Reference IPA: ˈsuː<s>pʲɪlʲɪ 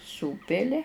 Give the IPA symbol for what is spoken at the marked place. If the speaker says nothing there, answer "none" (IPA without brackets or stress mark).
none